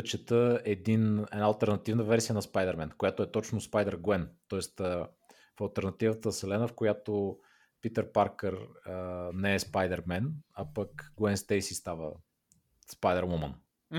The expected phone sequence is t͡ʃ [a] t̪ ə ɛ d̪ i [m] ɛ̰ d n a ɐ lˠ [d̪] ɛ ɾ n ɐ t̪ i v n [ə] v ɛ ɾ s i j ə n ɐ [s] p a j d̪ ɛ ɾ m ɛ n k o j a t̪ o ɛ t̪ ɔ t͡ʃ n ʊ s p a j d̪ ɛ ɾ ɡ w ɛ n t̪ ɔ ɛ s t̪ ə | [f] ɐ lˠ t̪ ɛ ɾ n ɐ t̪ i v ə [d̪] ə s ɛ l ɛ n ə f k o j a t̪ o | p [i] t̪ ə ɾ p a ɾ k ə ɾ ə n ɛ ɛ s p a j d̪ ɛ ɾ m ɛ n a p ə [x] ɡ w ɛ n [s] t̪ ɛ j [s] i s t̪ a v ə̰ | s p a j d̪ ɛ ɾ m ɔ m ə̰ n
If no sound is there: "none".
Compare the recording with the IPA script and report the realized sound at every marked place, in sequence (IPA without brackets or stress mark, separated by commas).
ɛ, n, t̪, ə, s, f, t̪, i, k, s, s